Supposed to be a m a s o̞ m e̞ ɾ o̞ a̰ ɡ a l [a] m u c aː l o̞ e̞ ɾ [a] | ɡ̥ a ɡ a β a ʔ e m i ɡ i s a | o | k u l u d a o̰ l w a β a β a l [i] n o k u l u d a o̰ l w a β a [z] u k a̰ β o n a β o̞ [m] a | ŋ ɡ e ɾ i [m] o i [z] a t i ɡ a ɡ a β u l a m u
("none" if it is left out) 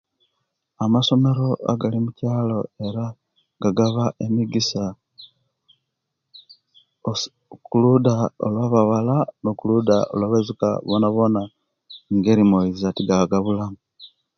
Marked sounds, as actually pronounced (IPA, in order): i, a, a, z, n, m, z

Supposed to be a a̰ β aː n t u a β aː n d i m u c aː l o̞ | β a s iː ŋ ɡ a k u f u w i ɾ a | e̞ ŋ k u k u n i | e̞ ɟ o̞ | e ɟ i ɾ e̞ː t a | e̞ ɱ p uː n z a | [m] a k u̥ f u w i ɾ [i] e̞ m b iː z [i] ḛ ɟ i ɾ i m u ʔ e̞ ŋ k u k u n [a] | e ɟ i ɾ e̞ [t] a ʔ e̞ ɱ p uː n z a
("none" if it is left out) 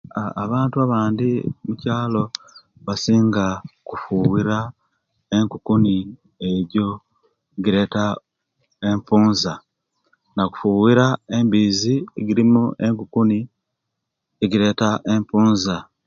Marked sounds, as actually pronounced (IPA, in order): n, a, i, i, t

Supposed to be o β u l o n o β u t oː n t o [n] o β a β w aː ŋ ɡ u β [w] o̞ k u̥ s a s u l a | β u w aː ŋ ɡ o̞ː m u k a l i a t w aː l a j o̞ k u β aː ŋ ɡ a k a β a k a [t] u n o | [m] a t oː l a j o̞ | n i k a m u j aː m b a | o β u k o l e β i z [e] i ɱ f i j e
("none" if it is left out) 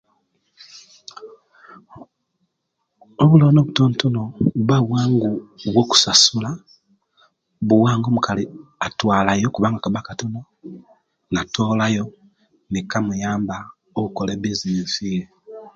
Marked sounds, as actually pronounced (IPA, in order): n, w, t, n, i

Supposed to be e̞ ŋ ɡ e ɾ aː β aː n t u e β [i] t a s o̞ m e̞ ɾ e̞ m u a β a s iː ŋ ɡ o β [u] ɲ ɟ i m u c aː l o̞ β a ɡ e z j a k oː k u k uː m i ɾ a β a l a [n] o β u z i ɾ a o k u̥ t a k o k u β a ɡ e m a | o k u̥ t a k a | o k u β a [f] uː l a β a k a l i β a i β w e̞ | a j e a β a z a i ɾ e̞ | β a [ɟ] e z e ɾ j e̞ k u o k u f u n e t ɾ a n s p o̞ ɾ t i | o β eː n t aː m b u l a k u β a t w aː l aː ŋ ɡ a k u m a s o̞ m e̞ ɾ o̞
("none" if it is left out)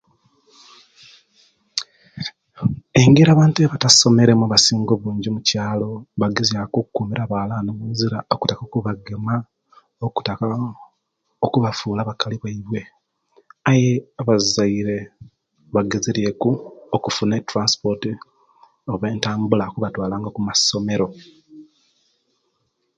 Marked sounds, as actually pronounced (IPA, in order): a, uː, n, f, ɡ

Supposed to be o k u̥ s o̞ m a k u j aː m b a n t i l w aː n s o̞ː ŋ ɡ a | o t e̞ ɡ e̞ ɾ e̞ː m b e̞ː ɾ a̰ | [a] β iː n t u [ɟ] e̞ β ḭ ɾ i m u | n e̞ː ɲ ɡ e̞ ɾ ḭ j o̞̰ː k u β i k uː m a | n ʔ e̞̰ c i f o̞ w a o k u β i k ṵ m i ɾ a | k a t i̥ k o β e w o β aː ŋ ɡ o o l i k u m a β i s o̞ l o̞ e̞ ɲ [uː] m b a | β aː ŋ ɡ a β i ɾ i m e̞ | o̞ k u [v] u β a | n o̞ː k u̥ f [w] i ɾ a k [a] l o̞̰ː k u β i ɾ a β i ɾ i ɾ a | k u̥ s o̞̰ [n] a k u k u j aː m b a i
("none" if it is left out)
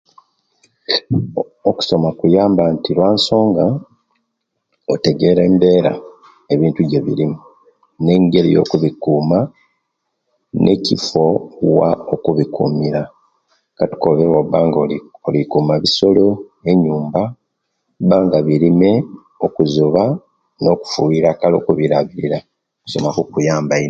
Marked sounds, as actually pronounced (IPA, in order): e, ɟ, uː, z, u, a, m

